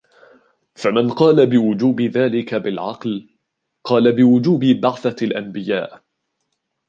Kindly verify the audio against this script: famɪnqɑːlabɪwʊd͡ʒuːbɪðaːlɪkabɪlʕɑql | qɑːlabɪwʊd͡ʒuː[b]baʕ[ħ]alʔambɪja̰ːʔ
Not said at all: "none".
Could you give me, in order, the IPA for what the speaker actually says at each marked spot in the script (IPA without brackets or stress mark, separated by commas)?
b, θ